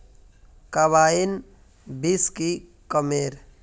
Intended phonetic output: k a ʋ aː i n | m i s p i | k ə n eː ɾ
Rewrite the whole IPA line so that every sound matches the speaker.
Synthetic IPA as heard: k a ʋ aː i n | b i s k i | k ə m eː ɾ